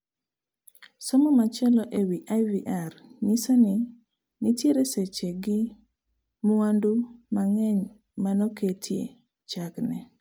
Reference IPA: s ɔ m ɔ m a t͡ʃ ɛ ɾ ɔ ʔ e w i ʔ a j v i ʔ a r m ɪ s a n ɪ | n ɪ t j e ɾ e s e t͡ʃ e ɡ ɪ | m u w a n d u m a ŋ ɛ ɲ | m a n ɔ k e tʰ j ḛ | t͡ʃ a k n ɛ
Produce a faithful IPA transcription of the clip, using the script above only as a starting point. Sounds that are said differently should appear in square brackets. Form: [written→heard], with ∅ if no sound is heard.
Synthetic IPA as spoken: s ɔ m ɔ m a t͡ʃ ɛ [ɾ→l] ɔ ʔ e w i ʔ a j v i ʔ a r [m→ɲ] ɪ s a n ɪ | n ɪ t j e ɾ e s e t͡ʃ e ɡ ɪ | m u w a n d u m a ŋ ɛ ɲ | m a n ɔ k e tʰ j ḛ | t͡ʃ a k n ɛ